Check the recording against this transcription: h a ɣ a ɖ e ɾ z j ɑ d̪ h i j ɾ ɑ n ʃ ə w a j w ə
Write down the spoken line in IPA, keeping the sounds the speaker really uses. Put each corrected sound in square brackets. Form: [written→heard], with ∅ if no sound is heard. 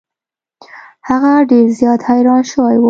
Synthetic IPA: h a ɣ a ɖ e ɾ z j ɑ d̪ h [i→a] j ɾ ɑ n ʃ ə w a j w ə

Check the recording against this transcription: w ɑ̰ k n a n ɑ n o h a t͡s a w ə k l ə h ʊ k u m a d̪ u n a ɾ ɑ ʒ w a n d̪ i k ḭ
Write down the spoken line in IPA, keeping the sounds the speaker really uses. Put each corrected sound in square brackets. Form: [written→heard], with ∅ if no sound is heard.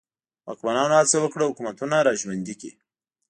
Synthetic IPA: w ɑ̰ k [n→m] a n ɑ n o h a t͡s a w ə k [l→ɽ] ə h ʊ k u m a [d̪→t̪] u n a ɾ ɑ ʒ w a n d̪ i k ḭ

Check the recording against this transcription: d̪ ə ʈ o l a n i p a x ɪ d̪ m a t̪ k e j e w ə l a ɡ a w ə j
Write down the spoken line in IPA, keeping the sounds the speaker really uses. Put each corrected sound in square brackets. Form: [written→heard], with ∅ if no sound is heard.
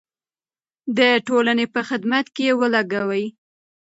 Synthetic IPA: d̪ ə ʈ o l a n [i→e] p [a→ə] x ɪ d̪ m a t̪ k e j e w ə l a ɡ a w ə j

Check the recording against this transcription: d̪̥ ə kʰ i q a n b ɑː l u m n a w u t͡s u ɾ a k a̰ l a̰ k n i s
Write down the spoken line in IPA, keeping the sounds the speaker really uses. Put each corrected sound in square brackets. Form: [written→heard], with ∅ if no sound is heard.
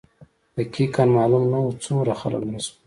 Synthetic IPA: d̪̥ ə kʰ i [q→k] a n [b→m] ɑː l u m n a w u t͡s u ɾ a [k→x] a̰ l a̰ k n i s

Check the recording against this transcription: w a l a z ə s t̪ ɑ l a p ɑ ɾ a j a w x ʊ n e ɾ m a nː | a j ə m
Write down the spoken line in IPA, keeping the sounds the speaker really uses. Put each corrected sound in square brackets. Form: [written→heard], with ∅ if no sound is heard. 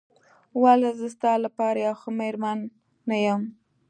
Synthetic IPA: w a l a z ə s t̪ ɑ l a p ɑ ɾ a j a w x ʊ [n→m] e ɾ m a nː | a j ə m

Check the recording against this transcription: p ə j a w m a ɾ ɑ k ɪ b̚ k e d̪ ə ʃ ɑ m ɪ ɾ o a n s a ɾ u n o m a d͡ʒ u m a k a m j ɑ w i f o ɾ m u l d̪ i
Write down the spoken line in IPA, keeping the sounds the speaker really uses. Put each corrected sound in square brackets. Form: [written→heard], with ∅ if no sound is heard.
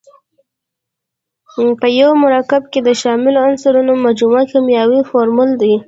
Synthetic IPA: p ə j a w m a ɾ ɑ k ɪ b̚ k e d̪ ə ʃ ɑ m ɪ [ɾ→l] o a n s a ɾ u n o m a d͡ʒ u m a k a m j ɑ w i f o ɾ m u l d̪ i

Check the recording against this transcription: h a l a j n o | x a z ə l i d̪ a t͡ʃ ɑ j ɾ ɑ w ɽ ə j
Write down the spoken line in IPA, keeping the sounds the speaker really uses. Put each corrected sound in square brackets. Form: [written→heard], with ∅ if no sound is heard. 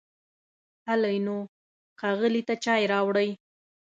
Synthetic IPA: h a l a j n o | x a [z→ɣ] ə l i [d̪→t̪] a t͡ʃ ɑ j ɾ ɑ w ɽ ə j

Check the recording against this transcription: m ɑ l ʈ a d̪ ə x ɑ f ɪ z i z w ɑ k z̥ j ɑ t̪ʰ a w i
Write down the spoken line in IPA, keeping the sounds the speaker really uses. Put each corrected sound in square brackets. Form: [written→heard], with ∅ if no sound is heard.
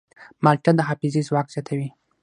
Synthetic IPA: m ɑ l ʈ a d̪ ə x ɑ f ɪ z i z w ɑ k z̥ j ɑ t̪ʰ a w i

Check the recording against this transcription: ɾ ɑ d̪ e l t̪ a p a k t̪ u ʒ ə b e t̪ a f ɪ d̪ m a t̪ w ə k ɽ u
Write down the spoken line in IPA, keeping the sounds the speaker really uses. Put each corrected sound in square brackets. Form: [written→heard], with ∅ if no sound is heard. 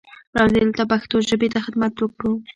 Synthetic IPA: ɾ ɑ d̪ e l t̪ a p a [k→x] t̪ [u→o] ʒ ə b e t̪ a [f→x] ɪ d̪ m a t̪ w ə k ɽ u

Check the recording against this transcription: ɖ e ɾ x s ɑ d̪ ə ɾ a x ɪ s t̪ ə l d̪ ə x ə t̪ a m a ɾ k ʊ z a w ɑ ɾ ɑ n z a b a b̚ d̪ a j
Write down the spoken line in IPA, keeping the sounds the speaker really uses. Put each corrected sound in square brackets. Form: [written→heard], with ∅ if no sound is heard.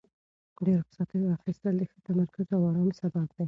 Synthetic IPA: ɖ e ɾ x s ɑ [d̪→t̪] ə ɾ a x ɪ s t̪ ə l d̪ ə x ə t̪ a m a ɾ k ʊ z a w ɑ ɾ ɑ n [z→s] a b a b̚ d̪ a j

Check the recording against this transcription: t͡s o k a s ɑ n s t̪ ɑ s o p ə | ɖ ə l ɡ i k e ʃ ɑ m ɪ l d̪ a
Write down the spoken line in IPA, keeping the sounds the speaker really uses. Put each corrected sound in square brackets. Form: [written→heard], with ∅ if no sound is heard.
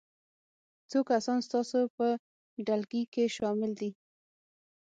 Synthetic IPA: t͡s o k a s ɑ n s t̪ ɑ s o p ə | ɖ [ə→a] l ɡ i k e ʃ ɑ m ɪ l d̪ [a→i]

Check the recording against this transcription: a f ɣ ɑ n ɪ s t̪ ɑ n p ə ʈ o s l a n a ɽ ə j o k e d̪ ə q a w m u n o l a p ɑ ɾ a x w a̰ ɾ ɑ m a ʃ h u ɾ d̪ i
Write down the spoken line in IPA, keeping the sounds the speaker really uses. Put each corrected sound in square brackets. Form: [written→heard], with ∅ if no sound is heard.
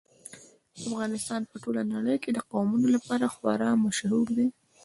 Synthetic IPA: a f ɣ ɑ n ɪ s t̪ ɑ n p ə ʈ o [s→∅] l a n a ɽ ə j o k e d̪ ə q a w m u n o l a p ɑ ɾ a x w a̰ ɾ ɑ m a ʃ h u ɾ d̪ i

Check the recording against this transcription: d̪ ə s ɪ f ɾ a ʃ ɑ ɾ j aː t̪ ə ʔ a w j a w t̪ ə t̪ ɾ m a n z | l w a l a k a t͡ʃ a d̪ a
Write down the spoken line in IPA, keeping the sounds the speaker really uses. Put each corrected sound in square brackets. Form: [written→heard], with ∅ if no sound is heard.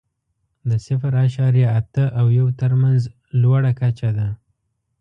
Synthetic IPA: d̪ ə s ɪ f ɾ a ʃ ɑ ɾ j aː t̪ ə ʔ a w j a w t̪ ə [t̪→∅] ɾ m a n z | l w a [l→ɽ] a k a t͡ʃ a d̪ a

